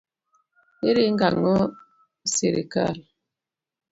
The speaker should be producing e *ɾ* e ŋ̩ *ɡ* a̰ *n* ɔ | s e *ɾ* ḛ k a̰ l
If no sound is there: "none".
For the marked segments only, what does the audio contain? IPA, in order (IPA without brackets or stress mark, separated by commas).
ɾ, ɡ, ŋ, ɾ